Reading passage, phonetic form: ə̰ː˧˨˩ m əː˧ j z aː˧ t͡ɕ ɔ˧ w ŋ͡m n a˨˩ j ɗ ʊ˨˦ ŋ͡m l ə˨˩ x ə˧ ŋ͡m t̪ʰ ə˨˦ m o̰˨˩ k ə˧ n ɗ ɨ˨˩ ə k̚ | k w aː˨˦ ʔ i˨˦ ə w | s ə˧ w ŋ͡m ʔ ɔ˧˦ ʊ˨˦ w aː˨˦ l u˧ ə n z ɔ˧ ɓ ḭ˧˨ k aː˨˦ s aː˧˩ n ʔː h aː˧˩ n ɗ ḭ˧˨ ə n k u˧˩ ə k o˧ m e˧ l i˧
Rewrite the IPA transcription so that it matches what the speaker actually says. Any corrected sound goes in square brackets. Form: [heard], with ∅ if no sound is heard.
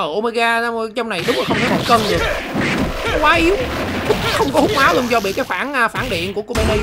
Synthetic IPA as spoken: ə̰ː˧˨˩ m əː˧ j [ɣ] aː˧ t͡ɕ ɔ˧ w ŋ͡m n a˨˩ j ɗ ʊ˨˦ ŋ͡m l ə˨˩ x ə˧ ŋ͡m t̪ʰ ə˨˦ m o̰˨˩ k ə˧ n ɗ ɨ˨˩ ə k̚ | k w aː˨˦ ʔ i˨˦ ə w | [x] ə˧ w ŋ͡m [k] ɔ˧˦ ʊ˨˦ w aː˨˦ l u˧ ə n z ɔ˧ ɓ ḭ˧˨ k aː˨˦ [f] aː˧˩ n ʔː [f] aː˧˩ n ɗ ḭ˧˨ ə n k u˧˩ ə k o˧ m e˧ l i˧